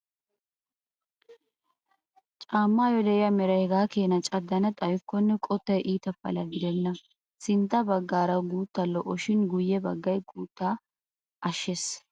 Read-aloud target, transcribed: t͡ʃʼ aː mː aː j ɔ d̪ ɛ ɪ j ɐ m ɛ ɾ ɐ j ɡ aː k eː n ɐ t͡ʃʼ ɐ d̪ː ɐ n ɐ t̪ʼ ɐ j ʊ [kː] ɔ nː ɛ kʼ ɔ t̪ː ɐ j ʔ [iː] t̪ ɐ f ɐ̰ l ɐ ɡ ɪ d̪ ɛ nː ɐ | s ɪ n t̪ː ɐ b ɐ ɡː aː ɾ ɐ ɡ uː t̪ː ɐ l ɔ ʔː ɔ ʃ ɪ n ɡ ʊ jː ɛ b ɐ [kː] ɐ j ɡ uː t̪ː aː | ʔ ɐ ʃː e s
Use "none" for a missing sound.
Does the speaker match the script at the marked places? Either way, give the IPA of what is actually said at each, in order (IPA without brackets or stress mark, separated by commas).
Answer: kː, iː, ɡː